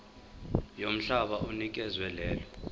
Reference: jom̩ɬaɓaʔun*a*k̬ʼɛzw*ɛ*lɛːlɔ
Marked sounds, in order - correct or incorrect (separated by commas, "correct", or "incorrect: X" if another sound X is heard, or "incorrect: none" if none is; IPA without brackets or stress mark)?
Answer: incorrect: i, correct